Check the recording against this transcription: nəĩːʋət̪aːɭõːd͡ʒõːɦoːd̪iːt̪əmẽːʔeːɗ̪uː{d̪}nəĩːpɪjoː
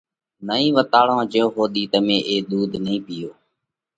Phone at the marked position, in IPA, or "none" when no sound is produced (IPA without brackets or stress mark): d̪